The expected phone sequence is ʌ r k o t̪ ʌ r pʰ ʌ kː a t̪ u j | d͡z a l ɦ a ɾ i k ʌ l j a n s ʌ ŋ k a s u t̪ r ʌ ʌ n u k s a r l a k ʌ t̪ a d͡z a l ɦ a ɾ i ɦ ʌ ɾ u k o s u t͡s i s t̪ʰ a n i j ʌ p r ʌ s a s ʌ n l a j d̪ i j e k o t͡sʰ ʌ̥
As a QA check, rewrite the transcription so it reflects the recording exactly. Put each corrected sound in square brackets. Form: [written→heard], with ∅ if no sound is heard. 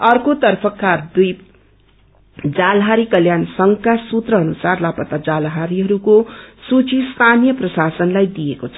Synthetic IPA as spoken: ʌ r k o t̪ ʌ r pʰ ʌ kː a [t̪→d̪] u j | d͡z a l ɦ a ɾ i k ʌ l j a n s ʌ ŋ k a s u t̪ r ʌ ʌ n u [k→∅] s a r l a [k→p] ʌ t̪ a d͡z a l ɦ a ɾ i ɦ ʌ ɾ u k o s u t͡s i s t̪ʰ a n i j ʌ p r ʌ s a s ʌ n l a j d̪ i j e k o t͡sʰ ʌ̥